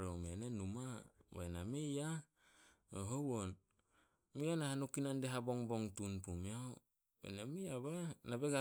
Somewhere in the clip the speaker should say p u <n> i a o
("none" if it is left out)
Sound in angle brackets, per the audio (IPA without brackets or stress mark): m